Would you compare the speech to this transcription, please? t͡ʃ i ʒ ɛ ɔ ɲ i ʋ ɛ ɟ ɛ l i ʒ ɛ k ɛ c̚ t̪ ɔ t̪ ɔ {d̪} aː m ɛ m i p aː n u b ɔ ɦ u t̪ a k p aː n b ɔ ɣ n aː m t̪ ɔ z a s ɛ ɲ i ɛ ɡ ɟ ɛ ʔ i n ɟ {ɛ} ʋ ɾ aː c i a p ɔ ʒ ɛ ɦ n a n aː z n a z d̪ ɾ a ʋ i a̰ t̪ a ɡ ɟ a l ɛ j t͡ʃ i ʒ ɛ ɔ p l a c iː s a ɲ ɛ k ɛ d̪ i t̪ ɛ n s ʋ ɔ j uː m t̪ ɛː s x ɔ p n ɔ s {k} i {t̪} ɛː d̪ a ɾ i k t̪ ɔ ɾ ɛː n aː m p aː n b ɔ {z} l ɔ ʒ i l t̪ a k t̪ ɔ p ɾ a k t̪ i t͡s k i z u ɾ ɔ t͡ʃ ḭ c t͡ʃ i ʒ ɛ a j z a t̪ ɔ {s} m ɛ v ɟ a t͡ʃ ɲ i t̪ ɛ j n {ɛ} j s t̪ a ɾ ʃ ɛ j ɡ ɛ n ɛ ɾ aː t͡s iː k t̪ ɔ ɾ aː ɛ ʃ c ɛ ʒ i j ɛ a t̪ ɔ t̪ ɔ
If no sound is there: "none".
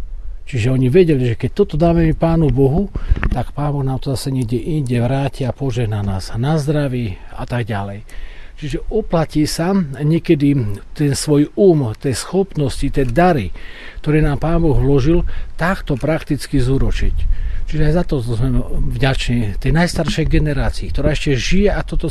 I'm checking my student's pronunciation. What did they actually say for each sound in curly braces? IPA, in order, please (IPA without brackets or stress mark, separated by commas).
d̪, ɛ, c, t̪, ɣ, z, a